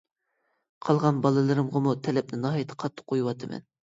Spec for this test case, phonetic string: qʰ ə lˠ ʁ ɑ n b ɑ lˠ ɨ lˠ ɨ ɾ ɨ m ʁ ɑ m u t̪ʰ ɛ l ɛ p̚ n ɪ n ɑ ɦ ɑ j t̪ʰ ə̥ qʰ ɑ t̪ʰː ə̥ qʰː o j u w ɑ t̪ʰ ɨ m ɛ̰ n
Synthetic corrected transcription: qʰ ɑ lˠ ʁ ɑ n b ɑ lˠ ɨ lˠ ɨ ɾ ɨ m ʁ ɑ m u t̪ʰ ɛ l ɛ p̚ n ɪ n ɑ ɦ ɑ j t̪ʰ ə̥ qʰ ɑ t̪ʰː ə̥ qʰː o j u w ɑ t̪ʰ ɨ m ɛ̰ n